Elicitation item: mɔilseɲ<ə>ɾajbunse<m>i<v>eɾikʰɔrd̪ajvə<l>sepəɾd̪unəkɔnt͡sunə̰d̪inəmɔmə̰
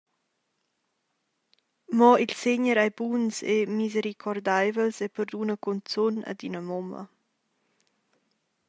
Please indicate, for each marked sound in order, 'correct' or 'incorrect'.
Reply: correct, correct, incorrect, correct

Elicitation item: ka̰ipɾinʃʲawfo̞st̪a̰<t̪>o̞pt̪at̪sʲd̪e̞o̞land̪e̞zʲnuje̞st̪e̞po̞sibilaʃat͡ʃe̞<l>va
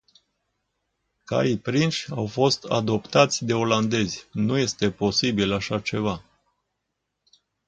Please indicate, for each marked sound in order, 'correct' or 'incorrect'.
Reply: incorrect, incorrect

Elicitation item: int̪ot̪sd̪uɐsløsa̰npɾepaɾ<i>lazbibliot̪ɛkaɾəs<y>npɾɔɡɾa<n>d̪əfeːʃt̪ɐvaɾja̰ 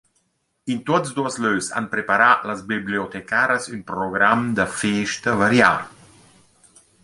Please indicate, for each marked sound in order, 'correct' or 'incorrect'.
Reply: incorrect, correct, incorrect

